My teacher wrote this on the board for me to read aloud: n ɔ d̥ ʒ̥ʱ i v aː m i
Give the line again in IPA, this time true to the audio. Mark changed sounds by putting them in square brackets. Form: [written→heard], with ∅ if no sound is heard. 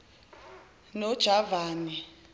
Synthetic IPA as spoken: n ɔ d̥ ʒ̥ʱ [i→a] v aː [m→n] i